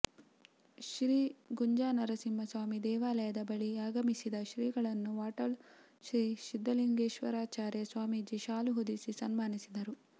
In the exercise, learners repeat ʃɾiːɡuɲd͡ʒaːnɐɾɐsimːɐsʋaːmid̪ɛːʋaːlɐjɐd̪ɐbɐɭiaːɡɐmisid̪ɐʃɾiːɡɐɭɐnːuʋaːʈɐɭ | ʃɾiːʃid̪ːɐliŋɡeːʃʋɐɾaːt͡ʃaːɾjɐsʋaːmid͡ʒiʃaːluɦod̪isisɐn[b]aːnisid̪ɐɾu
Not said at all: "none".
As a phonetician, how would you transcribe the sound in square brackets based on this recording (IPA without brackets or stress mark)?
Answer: m